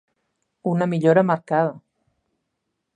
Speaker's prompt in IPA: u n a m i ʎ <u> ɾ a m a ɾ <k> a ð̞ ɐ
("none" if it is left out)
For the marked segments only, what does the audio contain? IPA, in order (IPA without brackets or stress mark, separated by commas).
o, k